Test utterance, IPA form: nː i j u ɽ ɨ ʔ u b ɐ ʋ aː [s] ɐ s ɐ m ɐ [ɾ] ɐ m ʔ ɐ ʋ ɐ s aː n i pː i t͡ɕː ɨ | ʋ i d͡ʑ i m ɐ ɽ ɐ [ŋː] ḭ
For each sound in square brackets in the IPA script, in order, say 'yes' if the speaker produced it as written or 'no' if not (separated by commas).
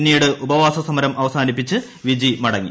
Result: yes, yes, yes